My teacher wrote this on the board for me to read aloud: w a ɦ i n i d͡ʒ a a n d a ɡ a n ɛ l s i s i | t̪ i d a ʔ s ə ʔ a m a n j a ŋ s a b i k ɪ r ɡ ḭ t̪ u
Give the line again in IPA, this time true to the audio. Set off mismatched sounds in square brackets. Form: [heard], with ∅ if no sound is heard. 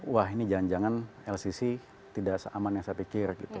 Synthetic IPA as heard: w a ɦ i n i d͡ʒ a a n [d͡ʒ] a [ŋ] a n ɛ l s i s i | t̪ i d a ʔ s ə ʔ a m a n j a ŋ s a [p] i k ɪ r ɡ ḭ t̪ u

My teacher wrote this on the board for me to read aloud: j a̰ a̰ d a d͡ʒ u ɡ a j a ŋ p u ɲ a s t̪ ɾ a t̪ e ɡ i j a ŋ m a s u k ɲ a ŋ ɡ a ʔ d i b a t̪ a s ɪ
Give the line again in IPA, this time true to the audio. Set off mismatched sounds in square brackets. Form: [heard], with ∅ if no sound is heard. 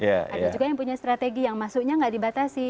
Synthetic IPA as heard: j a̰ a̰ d a d͡ʒ u ɡ a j a ŋ p u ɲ a s t̪ ɾ a t̪ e ɡ i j a ŋ m a s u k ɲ a ŋ ɡ a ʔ d i b a t̪ a s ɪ

